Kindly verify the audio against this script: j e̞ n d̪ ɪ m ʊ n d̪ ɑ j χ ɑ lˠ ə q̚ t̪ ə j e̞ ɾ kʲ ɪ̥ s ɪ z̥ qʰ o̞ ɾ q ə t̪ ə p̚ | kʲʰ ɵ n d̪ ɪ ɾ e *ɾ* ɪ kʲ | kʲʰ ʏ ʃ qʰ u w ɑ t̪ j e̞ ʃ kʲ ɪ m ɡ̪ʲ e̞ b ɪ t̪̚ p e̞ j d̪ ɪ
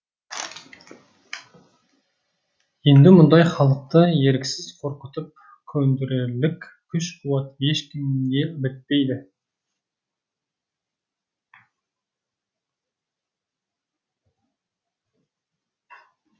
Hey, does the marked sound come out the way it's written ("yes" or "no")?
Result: no